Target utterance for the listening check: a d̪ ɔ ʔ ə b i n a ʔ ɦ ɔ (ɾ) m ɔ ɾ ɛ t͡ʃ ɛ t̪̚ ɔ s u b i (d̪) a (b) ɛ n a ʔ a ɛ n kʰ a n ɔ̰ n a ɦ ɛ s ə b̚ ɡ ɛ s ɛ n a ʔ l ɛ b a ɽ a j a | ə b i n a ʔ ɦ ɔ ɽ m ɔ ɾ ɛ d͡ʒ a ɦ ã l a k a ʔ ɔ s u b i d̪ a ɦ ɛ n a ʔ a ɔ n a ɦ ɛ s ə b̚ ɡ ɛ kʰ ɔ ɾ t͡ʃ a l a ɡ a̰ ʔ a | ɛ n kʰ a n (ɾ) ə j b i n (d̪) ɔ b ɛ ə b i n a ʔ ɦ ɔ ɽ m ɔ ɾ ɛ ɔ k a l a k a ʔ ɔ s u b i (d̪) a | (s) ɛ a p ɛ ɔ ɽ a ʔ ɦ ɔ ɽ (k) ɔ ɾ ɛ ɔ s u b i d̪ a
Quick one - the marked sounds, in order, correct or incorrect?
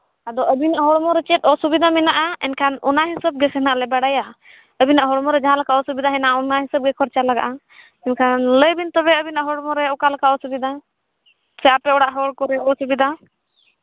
incorrect, correct, incorrect, incorrect, incorrect, correct, correct, correct

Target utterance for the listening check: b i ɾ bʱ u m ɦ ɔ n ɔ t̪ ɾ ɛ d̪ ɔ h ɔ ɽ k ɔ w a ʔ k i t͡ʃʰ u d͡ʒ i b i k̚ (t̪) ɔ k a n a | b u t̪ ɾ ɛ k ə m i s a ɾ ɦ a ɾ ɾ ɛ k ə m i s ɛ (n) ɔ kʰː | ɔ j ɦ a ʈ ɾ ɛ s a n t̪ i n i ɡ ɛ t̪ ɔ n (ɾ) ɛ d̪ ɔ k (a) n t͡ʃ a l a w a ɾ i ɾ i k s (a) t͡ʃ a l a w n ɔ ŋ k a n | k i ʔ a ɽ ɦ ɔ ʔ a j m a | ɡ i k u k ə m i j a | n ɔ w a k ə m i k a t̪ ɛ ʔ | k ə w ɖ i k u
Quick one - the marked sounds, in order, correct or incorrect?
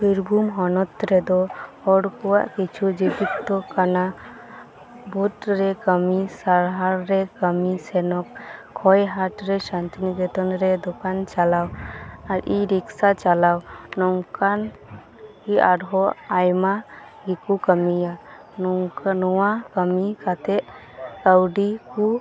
correct, correct, correct, correct, correct

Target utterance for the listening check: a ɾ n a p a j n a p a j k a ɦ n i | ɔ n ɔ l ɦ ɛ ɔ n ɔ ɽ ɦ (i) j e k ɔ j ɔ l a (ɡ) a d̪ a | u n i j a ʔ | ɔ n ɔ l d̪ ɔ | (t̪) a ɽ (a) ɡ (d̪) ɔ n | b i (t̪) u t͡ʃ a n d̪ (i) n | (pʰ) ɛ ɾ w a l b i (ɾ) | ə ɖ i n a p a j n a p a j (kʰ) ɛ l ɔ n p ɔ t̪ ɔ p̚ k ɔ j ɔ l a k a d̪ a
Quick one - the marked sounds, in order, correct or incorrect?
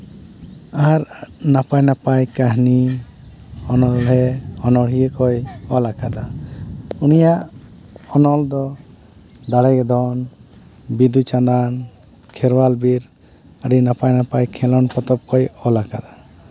correct, incorrect, incorrect, incorrect, correct, incorrect, incorrect, incorrect, correct, correct

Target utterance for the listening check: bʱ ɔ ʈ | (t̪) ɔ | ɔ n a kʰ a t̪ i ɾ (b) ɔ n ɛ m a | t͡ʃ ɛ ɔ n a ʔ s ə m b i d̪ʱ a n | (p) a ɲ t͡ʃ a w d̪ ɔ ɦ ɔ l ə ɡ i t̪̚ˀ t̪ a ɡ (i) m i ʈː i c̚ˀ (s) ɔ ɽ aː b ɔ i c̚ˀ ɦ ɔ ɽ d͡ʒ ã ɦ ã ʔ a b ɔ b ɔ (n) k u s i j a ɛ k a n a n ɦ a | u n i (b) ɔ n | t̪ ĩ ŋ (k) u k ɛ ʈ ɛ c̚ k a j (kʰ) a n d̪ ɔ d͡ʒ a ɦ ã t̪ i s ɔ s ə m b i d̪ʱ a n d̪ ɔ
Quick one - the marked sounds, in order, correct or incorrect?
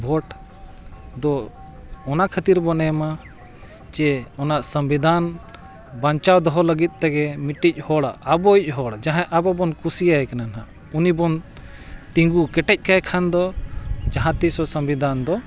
incorrect, correct, incorrect, incorrect, incorrect, correct, correct, incorrect, correct

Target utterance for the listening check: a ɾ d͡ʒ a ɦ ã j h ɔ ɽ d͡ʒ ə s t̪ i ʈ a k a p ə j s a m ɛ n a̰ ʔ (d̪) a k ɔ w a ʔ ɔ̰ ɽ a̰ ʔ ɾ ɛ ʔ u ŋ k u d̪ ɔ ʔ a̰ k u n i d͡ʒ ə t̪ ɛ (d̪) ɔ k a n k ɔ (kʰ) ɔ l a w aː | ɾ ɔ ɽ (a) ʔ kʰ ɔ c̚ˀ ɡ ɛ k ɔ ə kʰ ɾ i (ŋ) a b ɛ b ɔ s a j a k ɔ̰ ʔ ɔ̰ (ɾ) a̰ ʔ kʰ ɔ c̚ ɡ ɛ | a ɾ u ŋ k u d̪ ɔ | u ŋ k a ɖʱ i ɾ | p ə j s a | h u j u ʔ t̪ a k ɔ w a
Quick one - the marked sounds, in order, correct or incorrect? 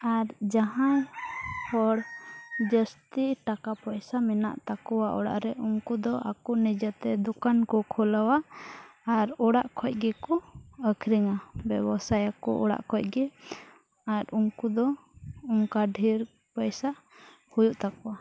incorrect, correct, correct, correct, correct, incorrect

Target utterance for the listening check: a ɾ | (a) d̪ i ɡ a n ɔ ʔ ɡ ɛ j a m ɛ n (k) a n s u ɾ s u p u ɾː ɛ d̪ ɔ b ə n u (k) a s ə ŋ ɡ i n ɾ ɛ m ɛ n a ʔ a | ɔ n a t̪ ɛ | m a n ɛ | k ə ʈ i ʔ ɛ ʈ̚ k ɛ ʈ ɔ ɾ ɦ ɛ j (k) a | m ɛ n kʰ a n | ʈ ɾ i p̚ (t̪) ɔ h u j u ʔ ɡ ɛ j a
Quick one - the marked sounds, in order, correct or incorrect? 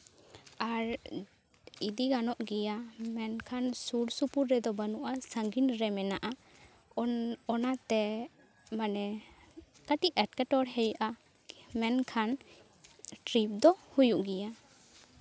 incorrect, incorrect, incorrect, incorrect, incorrect

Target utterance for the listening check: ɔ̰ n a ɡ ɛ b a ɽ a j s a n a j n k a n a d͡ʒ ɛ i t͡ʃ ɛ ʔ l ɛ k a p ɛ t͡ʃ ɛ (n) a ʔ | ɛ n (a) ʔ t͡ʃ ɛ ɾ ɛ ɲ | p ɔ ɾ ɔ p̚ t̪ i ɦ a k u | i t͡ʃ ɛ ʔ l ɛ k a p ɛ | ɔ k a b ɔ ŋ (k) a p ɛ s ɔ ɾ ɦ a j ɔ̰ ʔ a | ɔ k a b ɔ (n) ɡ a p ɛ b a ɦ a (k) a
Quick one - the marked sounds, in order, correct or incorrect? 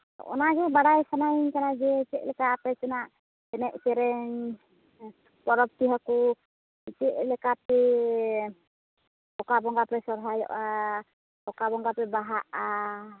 correct, incorrect, incorrect, incorrect, incorrect

